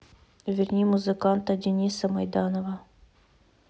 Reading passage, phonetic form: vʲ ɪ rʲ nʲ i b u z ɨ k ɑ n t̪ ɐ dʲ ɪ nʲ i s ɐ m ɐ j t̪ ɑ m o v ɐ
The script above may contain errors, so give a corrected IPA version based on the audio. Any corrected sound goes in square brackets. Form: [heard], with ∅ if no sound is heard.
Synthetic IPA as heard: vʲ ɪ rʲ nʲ i [m] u z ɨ k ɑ n t̪ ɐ dʲ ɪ nʲ i s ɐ m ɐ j [d̪] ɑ [n] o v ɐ